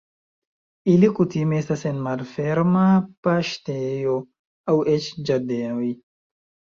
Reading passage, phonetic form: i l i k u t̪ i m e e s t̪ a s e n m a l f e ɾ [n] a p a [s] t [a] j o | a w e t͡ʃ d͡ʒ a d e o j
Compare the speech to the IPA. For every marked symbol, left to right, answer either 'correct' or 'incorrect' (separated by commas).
incorrect, incorrect, incorrect